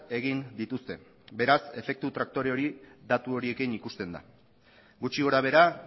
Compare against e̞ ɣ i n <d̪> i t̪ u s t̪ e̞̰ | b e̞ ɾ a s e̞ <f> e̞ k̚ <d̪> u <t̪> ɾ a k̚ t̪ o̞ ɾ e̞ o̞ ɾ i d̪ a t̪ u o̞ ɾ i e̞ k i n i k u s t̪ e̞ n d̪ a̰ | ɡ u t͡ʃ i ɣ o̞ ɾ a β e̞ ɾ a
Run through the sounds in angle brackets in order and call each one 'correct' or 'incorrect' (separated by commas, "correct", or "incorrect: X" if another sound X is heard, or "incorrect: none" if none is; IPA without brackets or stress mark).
correct, correct, incorrect: t̪, correct